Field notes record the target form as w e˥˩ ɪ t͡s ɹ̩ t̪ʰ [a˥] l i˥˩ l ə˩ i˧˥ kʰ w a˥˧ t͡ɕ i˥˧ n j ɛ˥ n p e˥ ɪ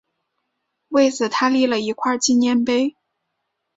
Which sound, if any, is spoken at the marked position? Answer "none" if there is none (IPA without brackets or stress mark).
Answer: a˥